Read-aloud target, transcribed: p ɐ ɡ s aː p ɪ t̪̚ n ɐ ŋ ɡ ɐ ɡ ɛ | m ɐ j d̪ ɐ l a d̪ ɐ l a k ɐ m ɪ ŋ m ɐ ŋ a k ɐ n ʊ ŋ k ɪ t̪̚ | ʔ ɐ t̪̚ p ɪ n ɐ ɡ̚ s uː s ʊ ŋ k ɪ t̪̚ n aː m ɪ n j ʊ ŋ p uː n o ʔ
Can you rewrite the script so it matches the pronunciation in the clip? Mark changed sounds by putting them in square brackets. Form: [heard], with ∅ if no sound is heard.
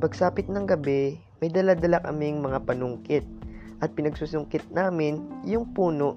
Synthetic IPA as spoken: p ɐ ɡ s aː p ɪ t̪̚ n ɐ ŋ ɡ ɐ [b] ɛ | m ɐ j d̪ ɐ l a d̪ ɐ l a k ɐ m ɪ ŋ m ɐ ŋ a [p] ɐ n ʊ ŋ k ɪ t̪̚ | ʔ ɐ t̪̚ p ɪ n ɐ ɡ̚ s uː s ʊ ŋ k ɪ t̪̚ n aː m ɪ n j ʊ ŋ p uː n o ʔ